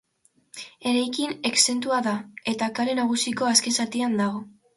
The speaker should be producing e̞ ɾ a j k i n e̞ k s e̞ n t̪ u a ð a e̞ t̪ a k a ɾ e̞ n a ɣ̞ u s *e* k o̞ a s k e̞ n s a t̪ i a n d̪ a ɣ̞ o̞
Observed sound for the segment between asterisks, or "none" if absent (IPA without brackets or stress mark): i